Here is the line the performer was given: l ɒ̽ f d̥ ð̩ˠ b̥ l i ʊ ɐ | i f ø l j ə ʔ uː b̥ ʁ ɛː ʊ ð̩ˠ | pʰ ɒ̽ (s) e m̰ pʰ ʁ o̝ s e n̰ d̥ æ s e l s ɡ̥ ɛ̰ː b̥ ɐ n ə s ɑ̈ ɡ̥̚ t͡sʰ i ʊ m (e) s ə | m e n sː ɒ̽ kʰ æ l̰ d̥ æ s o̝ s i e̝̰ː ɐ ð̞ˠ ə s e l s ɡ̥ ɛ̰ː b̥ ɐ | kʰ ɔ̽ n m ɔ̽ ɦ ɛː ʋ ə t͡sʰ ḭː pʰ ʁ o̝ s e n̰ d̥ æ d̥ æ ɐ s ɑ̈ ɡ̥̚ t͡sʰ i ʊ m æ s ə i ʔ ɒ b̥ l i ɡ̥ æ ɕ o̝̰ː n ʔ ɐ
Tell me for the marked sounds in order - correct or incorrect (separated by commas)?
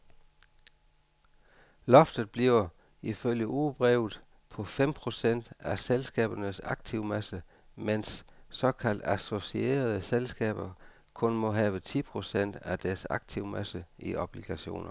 incorrect, incorrect